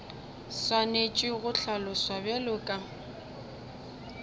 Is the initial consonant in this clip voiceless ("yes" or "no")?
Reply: yes